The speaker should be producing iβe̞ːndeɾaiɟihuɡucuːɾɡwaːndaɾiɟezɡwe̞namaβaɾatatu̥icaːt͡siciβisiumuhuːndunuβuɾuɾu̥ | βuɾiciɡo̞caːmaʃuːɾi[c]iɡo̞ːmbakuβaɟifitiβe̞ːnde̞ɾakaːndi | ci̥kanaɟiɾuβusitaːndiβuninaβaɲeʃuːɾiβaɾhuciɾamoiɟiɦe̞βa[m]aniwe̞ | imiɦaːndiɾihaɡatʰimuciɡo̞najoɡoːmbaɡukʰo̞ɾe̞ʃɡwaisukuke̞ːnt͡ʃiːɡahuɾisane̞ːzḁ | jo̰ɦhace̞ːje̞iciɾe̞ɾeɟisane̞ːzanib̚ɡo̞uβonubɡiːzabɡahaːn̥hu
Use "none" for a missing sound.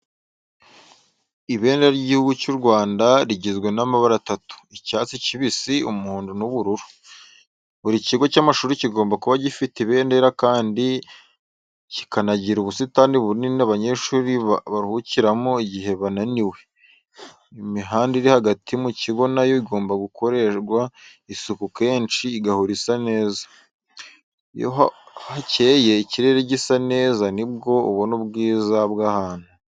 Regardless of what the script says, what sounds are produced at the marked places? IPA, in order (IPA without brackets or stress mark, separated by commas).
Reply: c, n